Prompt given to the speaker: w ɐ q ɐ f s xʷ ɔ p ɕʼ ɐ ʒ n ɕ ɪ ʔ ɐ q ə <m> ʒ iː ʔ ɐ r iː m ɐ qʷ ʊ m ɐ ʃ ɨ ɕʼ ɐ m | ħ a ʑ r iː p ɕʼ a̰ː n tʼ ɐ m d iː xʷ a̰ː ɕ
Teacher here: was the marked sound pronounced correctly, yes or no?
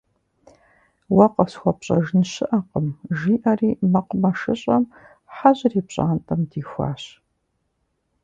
yes